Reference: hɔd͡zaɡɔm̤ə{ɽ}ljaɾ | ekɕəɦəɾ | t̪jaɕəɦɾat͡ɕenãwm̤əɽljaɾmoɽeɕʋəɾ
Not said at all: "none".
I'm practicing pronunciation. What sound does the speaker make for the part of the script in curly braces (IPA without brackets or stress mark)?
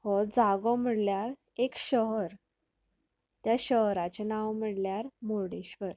ɽ